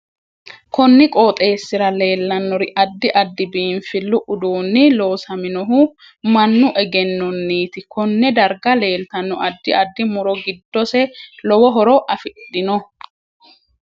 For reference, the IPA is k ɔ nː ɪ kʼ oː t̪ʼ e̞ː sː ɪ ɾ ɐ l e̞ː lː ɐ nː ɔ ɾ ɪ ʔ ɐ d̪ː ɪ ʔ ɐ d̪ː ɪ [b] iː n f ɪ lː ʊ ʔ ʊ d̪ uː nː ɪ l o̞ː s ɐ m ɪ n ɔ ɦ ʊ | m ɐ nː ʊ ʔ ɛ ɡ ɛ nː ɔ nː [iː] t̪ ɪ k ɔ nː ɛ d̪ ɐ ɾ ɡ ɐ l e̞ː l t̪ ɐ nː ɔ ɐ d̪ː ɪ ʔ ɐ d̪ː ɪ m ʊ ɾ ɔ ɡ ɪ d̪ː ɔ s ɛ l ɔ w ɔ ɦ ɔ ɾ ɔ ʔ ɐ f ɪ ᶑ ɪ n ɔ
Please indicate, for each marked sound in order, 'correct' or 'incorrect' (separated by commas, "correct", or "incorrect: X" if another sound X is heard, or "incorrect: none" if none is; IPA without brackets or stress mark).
correct, correct